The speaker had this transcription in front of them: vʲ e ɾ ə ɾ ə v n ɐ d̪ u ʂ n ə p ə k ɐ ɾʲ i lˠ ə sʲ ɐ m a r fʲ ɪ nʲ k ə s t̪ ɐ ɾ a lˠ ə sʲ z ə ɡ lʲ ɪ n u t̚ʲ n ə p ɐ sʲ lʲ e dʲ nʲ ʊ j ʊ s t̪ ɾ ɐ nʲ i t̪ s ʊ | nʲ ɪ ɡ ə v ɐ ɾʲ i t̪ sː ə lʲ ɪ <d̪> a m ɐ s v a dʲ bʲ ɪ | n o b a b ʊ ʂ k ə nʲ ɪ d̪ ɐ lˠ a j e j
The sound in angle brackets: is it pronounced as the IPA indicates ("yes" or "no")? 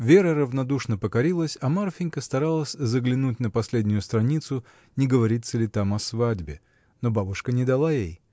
no